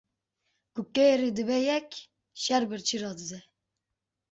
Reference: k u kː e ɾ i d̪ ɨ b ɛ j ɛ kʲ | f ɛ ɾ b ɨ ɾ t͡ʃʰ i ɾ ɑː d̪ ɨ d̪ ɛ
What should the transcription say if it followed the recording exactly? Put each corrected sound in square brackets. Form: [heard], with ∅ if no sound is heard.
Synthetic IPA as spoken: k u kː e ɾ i d̪ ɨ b ɛ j ɛ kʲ | [ʃ] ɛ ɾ b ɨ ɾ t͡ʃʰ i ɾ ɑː d̪ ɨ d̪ ɛ